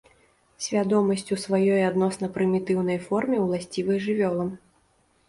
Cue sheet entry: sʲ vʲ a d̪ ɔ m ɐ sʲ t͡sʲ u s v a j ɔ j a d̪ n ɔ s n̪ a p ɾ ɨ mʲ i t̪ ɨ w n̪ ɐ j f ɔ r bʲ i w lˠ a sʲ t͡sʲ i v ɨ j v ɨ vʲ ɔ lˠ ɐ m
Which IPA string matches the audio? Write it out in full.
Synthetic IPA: sʲ vʲ a d̪ ɔ m ɐ sʲ t͡sʲ u s v a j ɔ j a d̪ n ɔ s n̪ ɐ p ɾ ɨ mʲ i t̪ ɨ w n̪ ɐ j f ɔ r mʲ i w lˠ a sʲ t͡sʲ i v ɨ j ʐ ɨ vʲ ɔ lˠ ɐ m